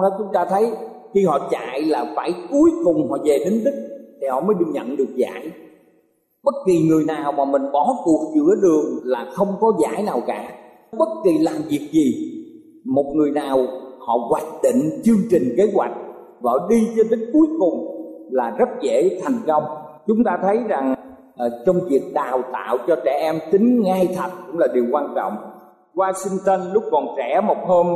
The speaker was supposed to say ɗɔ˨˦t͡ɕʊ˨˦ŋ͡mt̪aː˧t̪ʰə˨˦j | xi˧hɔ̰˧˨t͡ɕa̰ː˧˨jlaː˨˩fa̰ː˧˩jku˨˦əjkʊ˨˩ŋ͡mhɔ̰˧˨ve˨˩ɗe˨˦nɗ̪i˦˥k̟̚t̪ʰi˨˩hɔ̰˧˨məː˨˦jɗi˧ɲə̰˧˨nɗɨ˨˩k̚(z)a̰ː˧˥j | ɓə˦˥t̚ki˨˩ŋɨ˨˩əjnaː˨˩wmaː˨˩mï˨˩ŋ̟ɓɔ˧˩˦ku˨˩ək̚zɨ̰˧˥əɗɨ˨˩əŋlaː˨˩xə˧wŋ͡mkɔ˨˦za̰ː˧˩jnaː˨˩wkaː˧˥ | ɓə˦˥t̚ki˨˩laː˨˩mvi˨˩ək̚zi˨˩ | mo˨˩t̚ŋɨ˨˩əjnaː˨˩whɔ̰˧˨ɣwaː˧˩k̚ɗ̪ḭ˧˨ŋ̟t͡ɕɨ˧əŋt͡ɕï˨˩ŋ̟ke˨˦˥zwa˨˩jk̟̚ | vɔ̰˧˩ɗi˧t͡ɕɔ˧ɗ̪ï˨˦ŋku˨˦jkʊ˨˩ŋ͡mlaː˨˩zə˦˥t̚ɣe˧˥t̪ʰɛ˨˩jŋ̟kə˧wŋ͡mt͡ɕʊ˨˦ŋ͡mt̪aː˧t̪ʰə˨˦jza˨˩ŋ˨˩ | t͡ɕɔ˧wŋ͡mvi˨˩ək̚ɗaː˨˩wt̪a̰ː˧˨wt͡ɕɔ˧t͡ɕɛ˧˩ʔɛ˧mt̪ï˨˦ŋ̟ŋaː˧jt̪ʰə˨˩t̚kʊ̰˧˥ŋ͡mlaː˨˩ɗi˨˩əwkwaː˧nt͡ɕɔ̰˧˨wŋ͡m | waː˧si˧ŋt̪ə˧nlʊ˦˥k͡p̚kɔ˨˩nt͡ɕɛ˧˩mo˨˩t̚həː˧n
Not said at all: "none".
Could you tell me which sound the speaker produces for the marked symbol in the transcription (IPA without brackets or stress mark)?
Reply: z